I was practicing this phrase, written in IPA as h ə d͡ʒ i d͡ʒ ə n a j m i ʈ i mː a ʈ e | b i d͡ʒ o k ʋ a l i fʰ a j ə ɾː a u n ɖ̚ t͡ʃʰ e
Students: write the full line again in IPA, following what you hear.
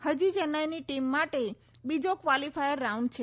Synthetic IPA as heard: h ə d͡ʒ i d͡ʒ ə n a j n i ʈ i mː a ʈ e | b i d͡ʒ o k ʋ a l i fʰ a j ə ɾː a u ɳ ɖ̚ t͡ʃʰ e